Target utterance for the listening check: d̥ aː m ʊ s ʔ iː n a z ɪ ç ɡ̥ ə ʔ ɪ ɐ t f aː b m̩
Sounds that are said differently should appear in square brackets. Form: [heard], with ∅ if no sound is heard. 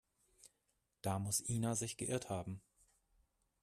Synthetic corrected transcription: d̥ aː m ʊ s ʔ iː n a z ɪ ç ɡ̥ ə ʔ ɪ ɐ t [h] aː b m̩